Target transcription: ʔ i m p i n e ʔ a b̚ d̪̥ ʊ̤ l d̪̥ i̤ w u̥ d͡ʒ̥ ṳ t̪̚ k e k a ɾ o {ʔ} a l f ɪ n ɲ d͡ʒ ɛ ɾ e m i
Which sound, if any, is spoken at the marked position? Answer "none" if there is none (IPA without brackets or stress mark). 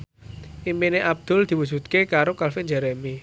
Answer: k